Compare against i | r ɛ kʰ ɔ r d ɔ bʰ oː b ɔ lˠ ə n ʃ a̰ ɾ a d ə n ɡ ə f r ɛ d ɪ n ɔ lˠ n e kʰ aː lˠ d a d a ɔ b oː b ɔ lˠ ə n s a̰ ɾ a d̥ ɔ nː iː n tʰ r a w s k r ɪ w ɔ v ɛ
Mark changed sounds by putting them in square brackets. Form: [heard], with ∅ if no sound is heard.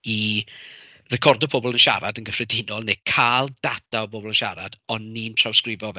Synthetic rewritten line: i | r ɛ kʰ ɔ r d ɔ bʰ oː b ɔ lˠ ə n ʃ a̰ ɾ a d ə n ɡ ə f r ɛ d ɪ n ɔ lˠ n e kʰ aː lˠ d a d a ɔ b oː b ɔ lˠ ə n [ʃ] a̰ ɾ a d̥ ɔ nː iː n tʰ r a w s k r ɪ [v] ɔ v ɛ